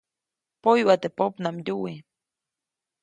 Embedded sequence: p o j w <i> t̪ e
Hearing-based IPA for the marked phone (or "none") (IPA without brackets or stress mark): a